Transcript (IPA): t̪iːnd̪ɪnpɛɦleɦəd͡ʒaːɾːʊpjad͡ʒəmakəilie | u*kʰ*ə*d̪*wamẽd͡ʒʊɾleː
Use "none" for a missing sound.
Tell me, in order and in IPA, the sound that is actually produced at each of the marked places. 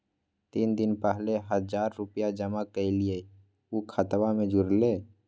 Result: kʰ, t̪

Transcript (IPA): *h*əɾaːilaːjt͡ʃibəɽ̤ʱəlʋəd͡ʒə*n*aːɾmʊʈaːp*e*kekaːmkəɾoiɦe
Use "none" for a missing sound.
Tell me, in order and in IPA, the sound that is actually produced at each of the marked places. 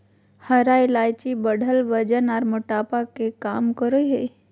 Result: h, n, a

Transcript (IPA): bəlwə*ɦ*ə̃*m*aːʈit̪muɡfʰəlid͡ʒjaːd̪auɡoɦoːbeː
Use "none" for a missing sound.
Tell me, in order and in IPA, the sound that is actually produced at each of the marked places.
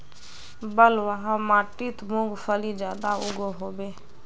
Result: ɦ, m

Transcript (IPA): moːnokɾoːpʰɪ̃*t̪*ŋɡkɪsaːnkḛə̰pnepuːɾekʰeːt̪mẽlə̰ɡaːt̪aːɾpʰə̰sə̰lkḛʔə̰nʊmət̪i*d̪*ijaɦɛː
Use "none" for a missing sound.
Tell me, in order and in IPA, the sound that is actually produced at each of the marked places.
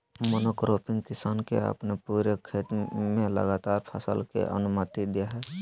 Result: none, d̪

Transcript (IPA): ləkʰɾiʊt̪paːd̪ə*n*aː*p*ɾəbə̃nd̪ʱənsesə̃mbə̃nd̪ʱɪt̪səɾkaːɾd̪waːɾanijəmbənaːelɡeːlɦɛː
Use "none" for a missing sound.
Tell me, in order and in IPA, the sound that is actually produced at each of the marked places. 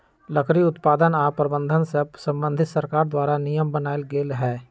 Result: n, p

